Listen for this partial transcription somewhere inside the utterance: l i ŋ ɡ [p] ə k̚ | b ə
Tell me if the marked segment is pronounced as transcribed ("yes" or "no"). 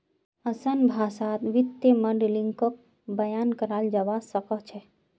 no